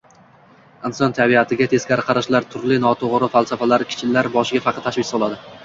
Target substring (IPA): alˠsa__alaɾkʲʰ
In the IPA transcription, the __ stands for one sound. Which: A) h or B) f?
B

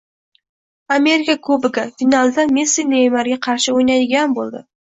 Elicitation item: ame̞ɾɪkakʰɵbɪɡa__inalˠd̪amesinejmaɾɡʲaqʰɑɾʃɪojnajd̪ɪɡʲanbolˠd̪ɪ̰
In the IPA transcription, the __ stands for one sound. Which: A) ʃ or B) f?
B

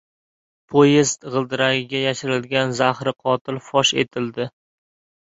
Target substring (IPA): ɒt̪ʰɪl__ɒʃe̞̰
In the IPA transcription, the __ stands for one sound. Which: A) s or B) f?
B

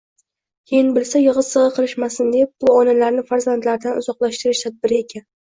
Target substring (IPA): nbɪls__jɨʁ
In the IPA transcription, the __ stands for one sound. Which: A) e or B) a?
B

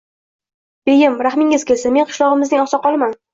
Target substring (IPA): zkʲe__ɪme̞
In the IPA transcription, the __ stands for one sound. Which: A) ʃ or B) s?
B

